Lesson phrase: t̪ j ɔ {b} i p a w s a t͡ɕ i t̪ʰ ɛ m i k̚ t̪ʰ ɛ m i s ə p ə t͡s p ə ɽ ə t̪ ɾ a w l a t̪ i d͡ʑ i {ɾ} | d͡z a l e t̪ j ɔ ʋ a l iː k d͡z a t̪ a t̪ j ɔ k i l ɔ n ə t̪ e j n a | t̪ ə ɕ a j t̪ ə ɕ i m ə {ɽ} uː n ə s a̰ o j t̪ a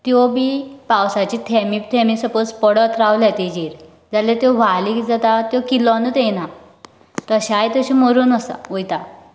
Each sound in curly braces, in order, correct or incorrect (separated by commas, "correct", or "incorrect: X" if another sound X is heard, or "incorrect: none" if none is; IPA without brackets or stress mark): correct, correct, incorrect: ɾ